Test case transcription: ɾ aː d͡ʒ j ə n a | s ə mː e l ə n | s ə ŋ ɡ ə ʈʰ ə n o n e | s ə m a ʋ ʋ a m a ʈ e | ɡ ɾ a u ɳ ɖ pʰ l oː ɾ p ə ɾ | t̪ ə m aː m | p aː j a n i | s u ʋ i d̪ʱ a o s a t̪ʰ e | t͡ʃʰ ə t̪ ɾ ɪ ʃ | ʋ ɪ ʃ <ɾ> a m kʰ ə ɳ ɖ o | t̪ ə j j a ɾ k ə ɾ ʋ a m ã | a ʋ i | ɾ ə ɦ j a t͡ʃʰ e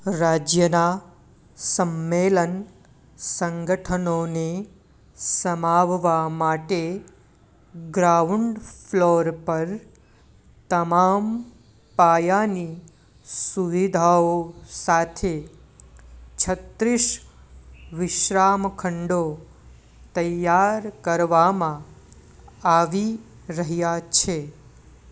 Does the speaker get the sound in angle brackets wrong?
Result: no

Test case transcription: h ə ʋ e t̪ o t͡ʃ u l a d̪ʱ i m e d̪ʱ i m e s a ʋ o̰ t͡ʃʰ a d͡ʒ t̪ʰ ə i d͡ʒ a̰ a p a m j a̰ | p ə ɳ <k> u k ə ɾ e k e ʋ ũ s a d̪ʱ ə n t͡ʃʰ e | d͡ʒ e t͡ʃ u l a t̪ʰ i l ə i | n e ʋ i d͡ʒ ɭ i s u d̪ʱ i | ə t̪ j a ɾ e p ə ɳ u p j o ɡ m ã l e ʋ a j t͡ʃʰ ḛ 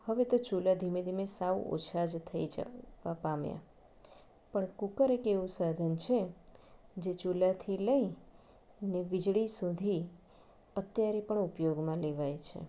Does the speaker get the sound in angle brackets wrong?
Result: no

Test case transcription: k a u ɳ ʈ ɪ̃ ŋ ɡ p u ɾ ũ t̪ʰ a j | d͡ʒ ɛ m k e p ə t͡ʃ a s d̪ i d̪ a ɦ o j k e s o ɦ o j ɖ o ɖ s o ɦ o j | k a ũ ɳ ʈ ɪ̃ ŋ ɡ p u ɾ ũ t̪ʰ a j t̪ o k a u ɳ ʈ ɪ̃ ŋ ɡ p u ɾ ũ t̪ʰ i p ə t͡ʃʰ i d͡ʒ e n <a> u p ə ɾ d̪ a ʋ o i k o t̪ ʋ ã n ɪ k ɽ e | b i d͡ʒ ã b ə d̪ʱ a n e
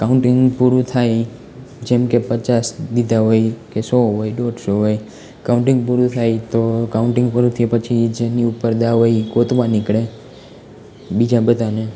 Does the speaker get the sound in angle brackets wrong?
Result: yes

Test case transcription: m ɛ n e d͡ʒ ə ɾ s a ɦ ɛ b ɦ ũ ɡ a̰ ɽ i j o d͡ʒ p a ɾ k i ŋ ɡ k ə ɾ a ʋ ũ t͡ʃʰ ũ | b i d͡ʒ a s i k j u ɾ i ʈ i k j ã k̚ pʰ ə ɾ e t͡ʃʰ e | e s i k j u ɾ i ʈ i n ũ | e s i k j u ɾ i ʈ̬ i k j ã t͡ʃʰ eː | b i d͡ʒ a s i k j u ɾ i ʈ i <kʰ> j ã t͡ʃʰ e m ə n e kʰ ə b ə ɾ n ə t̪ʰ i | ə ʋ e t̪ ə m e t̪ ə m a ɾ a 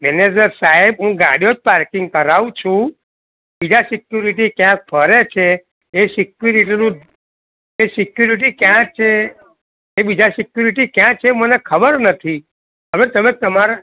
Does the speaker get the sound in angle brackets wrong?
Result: yes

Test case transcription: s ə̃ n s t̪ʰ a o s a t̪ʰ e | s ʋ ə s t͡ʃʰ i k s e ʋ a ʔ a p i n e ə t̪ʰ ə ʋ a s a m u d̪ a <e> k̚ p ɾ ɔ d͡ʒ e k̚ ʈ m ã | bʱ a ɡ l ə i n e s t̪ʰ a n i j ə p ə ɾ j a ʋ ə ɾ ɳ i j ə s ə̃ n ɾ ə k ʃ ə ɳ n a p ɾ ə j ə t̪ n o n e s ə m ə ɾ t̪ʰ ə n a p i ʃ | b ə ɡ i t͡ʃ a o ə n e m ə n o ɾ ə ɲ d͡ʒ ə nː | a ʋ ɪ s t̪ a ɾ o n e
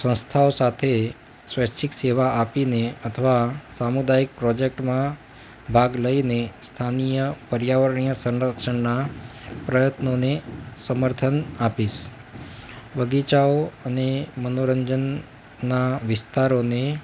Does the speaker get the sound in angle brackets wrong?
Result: yes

